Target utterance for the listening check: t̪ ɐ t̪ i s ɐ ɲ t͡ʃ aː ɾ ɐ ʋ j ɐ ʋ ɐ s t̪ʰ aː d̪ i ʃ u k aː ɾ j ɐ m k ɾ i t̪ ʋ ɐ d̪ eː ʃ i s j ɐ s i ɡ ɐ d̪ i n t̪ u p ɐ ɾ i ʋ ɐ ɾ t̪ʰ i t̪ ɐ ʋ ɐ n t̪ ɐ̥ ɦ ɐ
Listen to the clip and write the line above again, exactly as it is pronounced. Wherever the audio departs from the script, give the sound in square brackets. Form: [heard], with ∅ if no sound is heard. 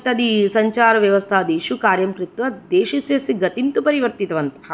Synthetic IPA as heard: t̪ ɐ [d̪] i s ɐ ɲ t͡ʃ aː ɾ ɐ ʋ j ɐ ʋ ɐ s t̪ʰ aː d̪ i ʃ u k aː ɾ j ɐ m k ɾ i t̪ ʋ ɐ d̪ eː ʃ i s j ɐ s i ɡ ɐ [t̪] i n t̪ u p ɐ ɾ i ʋ ɐ ɾ [t̪] i t̪ ɐ ʋ ɐ n t̪ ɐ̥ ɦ ɐ